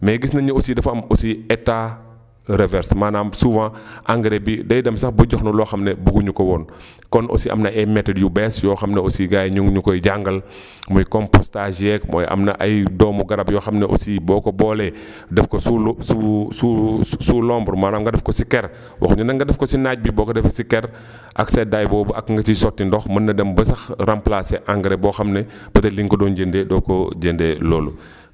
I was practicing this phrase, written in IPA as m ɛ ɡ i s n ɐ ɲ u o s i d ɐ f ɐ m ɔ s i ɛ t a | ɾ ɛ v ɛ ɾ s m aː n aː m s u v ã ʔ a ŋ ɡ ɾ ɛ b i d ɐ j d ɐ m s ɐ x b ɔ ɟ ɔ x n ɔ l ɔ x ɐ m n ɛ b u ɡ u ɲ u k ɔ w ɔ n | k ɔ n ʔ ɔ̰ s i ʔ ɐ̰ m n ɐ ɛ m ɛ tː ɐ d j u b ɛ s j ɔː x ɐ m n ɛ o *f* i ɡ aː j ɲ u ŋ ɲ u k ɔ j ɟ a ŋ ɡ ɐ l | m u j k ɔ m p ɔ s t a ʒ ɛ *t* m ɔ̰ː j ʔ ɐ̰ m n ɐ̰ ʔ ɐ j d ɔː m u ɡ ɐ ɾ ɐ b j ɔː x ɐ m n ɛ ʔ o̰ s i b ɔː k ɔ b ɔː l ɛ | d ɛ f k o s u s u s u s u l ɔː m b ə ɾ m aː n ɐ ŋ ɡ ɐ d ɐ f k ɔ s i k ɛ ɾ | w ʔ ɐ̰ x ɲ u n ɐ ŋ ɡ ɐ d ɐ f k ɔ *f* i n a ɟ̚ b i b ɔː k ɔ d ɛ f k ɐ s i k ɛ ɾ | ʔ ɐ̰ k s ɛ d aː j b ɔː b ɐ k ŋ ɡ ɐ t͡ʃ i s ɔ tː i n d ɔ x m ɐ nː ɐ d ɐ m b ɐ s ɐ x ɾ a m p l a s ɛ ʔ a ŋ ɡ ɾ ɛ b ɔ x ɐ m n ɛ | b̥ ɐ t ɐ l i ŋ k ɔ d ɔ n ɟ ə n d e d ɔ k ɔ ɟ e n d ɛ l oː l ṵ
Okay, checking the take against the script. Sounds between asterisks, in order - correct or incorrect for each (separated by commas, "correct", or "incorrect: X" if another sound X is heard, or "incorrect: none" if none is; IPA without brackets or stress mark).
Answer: incorrect: s, incorrect: k, incorrect: s